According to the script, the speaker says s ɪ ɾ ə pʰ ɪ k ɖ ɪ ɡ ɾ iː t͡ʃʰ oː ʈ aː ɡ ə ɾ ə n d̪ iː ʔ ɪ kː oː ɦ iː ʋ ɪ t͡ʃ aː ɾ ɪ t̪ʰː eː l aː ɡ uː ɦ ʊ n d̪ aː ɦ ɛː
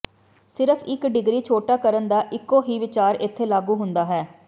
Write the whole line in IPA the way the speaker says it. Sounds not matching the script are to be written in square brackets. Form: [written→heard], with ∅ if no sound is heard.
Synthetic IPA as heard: s ɪ ɾ ə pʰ ɪ k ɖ ɪ ɡ ɾ iː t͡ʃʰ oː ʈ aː [ɡ→k] ə ɾ ə n d̪ [iː→aː] ʔ ɪ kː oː ɦ iː ʋ ɪ t͡ʃ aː ɾ ɪ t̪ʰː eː l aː ɡ uː ɦ ʊ n d̪ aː ɦ ɛː